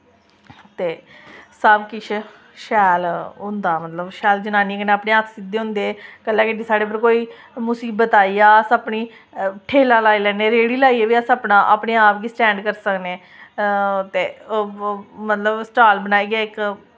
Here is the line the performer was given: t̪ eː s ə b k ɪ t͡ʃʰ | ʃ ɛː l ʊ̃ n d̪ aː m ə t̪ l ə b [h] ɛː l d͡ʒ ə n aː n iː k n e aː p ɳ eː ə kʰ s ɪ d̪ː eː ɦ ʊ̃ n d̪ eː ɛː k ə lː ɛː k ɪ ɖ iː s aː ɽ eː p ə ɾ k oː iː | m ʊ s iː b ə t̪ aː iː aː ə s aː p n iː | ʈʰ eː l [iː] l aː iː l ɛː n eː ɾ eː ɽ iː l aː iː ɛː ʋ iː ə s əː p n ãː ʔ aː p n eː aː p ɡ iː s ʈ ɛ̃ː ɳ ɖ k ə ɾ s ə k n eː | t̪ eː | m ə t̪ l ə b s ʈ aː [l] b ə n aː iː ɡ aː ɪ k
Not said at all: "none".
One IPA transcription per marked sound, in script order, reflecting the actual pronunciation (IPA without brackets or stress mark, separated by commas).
ʃ, aː, l